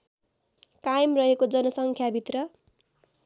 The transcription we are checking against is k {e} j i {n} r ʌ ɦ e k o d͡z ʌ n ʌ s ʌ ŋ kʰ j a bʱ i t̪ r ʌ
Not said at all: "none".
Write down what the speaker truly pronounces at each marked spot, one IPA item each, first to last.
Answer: a, m

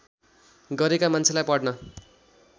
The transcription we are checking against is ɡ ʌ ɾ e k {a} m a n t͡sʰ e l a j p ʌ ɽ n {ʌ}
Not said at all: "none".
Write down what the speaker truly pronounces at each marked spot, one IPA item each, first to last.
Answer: a, ʌ

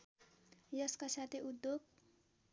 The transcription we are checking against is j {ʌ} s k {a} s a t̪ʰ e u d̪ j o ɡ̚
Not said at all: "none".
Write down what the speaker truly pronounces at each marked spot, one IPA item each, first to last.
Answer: ʌ, a

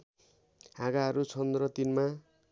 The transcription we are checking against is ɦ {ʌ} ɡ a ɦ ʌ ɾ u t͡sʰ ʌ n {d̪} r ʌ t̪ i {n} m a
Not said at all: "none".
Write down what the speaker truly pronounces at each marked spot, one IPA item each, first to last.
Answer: a, d̪, n

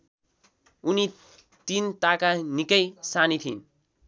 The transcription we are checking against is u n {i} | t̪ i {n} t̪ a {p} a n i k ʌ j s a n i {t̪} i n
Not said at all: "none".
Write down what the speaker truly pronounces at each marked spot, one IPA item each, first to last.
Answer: i, n, k, t̪ʰ

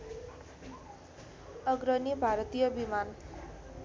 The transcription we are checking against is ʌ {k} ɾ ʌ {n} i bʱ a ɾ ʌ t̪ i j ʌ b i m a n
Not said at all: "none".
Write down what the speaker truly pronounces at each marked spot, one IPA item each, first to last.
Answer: ɡ, n

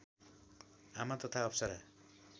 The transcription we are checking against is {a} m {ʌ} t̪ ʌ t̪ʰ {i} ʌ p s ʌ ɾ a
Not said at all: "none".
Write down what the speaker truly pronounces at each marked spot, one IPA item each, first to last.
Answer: a, a, a

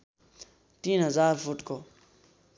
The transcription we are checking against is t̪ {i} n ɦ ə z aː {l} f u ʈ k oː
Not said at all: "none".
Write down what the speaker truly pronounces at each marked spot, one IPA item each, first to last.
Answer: iː, ɾ

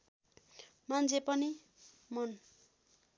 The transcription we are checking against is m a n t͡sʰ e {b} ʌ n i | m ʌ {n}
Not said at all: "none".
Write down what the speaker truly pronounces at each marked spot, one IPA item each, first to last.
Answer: p, n

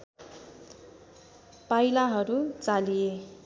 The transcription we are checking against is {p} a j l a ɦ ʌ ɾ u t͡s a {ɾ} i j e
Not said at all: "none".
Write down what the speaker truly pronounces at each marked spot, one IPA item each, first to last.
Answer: p, l

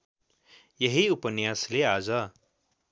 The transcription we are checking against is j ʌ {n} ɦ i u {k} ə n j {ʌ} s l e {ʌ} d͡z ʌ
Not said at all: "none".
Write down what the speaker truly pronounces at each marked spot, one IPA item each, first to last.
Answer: none, p, a, a

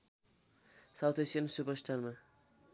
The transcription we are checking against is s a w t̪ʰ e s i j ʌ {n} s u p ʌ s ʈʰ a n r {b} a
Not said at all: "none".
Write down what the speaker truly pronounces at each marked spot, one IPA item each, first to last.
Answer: n, m

